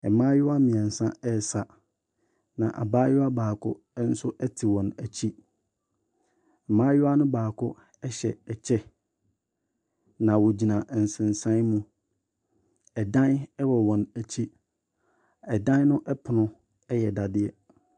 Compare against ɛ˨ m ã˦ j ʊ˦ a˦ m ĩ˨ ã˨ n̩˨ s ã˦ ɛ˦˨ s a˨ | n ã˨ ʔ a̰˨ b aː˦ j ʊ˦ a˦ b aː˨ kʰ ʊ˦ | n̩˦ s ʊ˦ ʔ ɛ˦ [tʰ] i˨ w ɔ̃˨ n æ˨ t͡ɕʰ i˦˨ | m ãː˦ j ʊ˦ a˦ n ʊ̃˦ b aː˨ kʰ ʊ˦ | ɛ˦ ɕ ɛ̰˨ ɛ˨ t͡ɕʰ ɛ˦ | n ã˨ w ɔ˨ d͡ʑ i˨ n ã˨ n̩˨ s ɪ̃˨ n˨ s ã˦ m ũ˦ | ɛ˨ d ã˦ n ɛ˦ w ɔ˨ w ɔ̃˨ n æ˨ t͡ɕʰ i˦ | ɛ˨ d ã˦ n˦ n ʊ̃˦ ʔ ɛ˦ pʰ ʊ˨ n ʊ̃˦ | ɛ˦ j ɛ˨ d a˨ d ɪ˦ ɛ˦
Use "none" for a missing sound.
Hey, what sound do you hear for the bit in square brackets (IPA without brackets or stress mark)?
tʰ